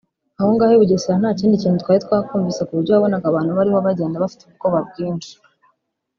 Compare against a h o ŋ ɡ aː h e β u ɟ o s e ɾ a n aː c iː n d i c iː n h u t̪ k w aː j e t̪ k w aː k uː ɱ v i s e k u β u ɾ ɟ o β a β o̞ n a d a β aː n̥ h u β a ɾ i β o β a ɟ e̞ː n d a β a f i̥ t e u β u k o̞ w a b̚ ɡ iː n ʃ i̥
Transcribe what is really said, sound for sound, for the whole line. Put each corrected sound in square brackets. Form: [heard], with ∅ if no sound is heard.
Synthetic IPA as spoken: a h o ŋ ɡ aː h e β u ɟ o s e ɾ a n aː c iː n d i c iː n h u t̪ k w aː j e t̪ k w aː k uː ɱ v i s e k u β u ɾ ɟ o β a β o̞ n a [ɡ] a β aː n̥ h u β a ɾ i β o β a ɟ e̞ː n d a β a f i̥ t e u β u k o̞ [β] a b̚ ɡ iː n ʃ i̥